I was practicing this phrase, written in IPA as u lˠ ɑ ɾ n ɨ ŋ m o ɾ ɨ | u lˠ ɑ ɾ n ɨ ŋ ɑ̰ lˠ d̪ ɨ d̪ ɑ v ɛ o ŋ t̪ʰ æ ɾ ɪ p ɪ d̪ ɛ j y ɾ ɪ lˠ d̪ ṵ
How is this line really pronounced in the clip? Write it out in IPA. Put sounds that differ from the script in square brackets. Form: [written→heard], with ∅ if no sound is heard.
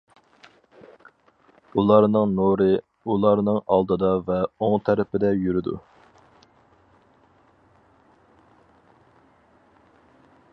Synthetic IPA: u lˠ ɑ ɾ n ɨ ŋ [m→n] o ɾ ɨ | u lˠ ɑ ɾ n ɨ ŋ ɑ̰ lˠ d̪ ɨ d̪ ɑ v ɛ o ŋ t̪ʰ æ ɾ ɪ p ɪ d̪ ɛ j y ɾ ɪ [lˠ→∅] d̪ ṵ